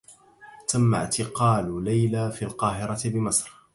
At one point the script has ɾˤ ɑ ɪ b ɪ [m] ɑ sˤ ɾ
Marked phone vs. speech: correct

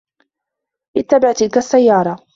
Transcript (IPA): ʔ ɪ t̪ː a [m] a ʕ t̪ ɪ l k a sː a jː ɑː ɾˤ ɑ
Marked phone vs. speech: incorrect: b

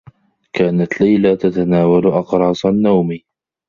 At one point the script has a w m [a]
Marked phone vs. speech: incorrect: i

